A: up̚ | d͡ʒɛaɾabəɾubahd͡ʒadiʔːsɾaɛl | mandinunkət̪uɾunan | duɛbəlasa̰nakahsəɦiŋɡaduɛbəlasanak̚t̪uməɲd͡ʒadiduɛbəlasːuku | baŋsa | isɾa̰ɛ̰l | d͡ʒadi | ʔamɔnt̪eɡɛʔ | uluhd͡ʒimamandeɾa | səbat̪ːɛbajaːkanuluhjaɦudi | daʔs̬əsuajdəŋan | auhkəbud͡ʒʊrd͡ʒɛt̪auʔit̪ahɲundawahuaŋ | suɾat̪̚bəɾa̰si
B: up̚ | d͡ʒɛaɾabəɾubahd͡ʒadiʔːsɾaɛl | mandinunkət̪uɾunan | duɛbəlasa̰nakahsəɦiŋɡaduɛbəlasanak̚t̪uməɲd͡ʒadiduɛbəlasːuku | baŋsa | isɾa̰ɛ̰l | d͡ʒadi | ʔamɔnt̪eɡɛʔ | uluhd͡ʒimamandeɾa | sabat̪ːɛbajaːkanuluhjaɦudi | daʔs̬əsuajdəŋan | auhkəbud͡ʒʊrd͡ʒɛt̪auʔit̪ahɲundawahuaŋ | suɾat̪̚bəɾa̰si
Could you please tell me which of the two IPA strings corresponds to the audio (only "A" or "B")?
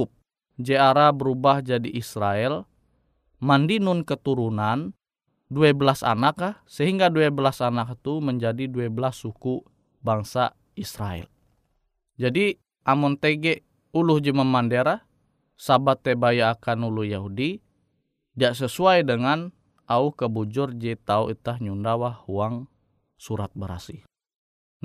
B